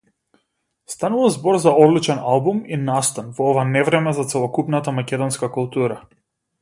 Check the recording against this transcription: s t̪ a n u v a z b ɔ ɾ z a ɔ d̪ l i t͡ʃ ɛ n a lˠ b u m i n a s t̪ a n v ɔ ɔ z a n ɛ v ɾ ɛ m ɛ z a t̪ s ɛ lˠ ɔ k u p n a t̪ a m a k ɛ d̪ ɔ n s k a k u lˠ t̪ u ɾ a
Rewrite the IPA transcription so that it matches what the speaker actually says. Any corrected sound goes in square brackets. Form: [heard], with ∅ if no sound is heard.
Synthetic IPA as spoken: s t̪ a n u v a z b ɔ ɾ z a ɔ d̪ l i t͡ʃ ɛ n a lˠ b u m i n a s t̪ a n v ɔ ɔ [v] a n ɛ v ɾ ɛ m ɛ z a t̪ s ɛ lˠ ɔ k u p n a t̪ a m a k ɛ d̪ ɔ n s k a k u lˠ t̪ u ɾ a